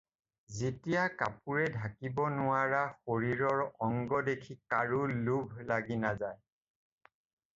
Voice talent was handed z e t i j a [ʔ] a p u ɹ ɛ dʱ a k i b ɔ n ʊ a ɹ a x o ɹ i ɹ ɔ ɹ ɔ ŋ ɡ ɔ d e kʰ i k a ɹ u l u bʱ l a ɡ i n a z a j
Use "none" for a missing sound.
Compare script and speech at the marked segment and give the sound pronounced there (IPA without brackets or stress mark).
k